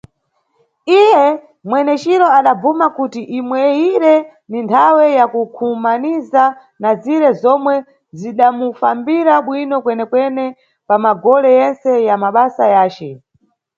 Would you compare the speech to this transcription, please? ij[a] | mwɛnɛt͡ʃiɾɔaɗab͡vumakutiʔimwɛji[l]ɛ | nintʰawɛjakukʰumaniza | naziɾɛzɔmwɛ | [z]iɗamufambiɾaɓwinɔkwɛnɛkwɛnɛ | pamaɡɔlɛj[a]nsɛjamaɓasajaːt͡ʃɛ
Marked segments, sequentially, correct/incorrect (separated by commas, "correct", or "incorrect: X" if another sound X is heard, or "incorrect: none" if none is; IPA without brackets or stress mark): incorrect: ɛ, incorrect: ɾ, correct, incorrect: ɛ